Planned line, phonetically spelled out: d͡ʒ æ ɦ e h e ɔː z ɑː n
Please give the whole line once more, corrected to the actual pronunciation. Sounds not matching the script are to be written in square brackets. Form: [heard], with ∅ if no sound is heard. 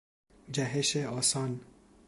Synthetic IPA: d͡ʒ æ ɦ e [ʃ] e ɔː [s] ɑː n